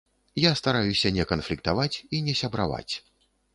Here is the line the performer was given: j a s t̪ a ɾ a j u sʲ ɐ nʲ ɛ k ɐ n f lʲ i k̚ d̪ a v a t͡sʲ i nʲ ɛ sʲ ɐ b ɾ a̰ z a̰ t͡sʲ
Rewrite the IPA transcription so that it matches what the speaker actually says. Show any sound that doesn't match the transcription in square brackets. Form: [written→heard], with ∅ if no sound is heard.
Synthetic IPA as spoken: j a s t̪ a ɾ a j u sʲ ɐ nʲ ɛ k ɐ n f lʲ i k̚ [d̪→t̪] a v a t͡sʲ i nʲ ɛ sʲ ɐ b ɾ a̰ [z→v] a̰ t͡sʲ

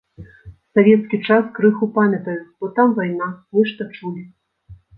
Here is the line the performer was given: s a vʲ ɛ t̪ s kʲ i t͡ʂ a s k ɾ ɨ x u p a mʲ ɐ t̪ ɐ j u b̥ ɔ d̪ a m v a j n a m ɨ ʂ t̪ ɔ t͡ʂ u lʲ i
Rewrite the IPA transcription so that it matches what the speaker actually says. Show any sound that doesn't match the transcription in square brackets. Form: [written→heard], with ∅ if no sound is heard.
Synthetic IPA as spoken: s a vʲ ɛ t̪ s kʲ i t͡ʂ a s k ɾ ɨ x u p a mʲ ɐ t̪ ɐ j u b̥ ɔ [d̪→t̪] a m v a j n a m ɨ ʂ t̪ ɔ t͡ʂ u lʲ i

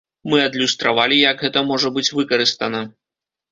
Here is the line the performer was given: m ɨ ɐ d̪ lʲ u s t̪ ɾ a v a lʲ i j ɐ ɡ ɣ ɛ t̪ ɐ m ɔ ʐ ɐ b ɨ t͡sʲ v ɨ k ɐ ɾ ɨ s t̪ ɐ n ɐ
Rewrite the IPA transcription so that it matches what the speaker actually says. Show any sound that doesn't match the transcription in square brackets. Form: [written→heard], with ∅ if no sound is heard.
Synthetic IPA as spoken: m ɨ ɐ d̪ lʲ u s t̪ ɾ a v a lʲ i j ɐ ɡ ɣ ɛ t̪ ɐ m ɔ ʐ ɐ b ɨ t͡sʲ v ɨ k ɐ ɾ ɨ s t̪ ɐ n ɐ

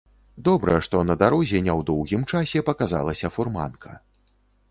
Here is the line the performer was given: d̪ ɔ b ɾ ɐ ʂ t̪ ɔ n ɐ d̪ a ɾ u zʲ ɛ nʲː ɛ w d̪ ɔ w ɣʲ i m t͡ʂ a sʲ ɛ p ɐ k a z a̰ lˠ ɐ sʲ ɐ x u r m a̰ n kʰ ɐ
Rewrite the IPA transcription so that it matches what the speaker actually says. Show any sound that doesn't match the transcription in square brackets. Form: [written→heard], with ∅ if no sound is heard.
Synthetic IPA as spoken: d̪ ɔ b ɾ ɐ ʂ t̪ ɔ n ɐ d̪ a ɾ [u→ɔ] zʲ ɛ [nʲː→nʲ] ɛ w d̪ ɔ w ɣʲ i m t͡ʂ a sʲ ɛ p ɐ k a z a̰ lˠ ɐ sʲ ɐ [x→f] u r m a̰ n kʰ ɐ

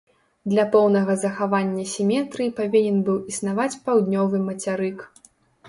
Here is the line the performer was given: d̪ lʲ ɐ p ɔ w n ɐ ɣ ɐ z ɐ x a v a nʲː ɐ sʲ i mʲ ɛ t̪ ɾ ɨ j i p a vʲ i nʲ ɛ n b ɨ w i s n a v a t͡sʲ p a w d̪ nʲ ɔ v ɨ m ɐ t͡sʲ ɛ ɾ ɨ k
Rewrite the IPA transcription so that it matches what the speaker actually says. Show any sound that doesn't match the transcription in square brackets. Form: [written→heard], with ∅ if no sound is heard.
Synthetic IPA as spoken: d̪ lʲ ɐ p ɔ w n ɐ ɣ ɐ z ɐ x a v a nʲː ɐ sʲ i mʲ ɛ t̪ ɾ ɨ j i p a vʲ i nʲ ɛ n b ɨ w i s n a v a t͡sʲ p a w d̪ nʲ ɔ v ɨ m ɐ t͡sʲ [ɛ→a] ɾ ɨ k

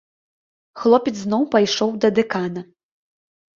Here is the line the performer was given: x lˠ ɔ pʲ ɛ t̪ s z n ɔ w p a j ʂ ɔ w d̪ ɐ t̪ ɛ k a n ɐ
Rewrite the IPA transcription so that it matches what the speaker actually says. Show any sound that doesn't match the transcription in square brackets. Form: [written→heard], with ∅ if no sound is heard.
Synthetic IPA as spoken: x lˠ ɔ pʲ ɛ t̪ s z n ɔ w p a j ʂ ɔ w d̪ ɐ [t̪→d̪] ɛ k a n ɐ

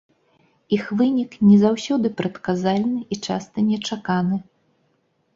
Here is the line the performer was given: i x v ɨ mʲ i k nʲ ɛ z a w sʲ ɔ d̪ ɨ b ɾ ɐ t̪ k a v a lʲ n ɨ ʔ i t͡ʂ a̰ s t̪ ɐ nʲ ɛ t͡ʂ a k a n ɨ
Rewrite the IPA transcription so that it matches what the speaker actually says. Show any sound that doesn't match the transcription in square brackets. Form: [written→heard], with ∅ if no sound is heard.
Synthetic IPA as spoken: i x v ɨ [mʲ→nʲ] i k nʲ ɛ z a w sʲ ɔ d̪ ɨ [b→p] ɾ ɐ t̪ k a [v→z] a lʲ n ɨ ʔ i t͡ʂ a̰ s t̪ ɐ nʲ ɛ t͡ʂ a k a n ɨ

